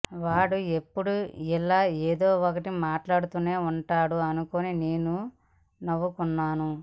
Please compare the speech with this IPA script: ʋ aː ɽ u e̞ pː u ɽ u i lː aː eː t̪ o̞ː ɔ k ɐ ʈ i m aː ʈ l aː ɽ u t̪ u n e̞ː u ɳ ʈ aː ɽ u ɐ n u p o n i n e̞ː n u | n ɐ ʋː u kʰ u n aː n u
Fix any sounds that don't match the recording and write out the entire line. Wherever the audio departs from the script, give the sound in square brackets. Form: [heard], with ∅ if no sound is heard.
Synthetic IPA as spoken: ʋ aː ɽ u e̞ pː u ɽ u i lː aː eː [d̪] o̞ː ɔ k ɐ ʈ i m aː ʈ l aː ɽ u t̪ u n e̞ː u ɳ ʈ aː ɽ u ɐ n u [k] o n i n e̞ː n u | n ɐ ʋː u [k] u [nː] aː n u